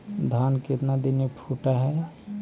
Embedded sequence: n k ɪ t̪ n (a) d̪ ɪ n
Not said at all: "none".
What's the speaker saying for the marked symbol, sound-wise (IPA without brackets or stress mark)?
a